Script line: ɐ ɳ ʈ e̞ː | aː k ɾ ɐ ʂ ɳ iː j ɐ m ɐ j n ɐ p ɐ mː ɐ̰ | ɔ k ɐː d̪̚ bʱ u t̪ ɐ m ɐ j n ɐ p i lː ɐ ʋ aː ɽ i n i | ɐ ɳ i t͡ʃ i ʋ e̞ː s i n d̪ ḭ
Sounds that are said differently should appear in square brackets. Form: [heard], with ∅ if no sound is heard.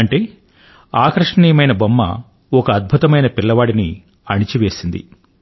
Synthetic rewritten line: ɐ ɳ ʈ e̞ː | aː k ɾ ɐ ʂ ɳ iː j ɐ m ɐ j n ɐ [b] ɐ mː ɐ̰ | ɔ k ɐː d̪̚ bʱ u t̪ ɐ m ɐ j n ɐ p i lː ɐ ʋ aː ɽ i n i | ɐ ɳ i t͡ʃ i ʋ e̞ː s i n d̪ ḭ